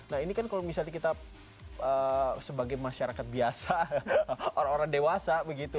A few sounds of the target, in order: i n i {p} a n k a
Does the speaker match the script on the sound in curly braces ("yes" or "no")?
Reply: no